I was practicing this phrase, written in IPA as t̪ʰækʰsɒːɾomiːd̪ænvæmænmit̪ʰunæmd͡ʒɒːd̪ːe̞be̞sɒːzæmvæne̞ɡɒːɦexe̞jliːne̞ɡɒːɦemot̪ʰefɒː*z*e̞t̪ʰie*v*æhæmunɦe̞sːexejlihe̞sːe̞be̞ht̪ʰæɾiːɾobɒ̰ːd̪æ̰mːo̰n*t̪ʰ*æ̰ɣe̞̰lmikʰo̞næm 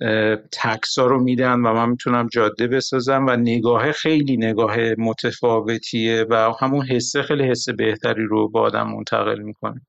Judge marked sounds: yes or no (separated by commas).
no, yes, yes